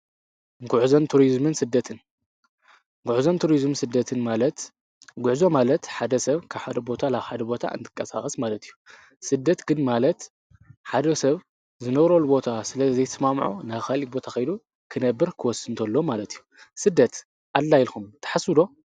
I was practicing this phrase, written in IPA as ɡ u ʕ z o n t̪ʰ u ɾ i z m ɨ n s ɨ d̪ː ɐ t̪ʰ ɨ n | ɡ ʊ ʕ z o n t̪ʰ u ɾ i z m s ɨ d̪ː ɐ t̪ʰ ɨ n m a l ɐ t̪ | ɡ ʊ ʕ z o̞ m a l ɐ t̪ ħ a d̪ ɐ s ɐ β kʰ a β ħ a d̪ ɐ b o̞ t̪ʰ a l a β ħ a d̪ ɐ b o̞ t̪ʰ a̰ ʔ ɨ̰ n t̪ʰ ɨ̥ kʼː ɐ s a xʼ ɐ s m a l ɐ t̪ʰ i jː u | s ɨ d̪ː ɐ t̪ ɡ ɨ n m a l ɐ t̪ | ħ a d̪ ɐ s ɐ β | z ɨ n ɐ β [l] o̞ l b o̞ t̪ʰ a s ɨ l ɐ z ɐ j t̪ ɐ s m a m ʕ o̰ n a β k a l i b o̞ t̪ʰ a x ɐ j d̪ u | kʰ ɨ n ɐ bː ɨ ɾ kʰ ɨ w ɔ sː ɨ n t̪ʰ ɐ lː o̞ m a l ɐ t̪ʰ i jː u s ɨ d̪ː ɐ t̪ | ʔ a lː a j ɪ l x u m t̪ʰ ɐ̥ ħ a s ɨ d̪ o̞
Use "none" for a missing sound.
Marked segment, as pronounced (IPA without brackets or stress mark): ɾ